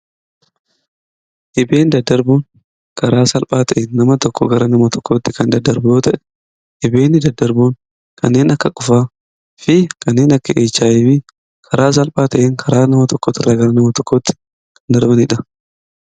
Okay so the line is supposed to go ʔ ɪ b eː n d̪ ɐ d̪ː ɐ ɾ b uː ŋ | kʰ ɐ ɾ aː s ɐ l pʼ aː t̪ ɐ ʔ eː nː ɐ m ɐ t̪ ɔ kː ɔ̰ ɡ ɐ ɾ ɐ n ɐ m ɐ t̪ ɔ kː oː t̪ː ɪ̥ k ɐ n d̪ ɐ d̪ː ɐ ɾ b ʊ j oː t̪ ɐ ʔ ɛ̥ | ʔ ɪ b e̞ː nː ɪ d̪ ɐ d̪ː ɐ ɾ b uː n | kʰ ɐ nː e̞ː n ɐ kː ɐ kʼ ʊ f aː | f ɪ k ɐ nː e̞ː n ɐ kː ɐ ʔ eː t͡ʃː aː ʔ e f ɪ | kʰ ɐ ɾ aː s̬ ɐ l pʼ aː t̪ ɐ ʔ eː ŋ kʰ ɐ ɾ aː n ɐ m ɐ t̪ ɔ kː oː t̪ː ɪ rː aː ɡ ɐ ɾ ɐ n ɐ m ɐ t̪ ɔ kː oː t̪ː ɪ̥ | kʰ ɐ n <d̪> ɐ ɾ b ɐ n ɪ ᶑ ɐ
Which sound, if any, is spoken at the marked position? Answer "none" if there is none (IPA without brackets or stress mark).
d̪